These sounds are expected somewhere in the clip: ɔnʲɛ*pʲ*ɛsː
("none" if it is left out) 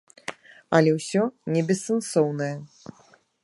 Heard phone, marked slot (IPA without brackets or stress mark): bʲ